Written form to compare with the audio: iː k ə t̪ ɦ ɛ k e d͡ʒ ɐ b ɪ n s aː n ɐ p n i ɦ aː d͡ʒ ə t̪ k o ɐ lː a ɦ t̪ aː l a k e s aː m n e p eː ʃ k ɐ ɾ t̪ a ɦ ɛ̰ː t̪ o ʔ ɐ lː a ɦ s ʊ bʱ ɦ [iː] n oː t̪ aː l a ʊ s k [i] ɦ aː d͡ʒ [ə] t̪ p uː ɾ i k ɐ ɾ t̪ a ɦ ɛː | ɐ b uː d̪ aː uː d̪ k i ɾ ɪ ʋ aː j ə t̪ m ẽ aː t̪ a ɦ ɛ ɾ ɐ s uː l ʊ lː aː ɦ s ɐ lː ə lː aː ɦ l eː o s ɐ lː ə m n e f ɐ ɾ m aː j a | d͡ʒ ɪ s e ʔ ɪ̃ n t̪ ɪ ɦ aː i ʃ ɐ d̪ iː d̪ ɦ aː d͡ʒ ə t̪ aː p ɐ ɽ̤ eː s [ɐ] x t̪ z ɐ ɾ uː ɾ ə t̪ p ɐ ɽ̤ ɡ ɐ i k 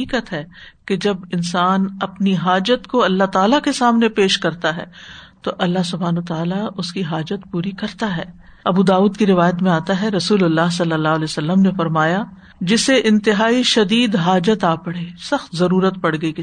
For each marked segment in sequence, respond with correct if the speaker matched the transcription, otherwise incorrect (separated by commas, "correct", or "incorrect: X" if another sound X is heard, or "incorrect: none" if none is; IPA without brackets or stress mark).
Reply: incorrect: aː, correct, correct, correct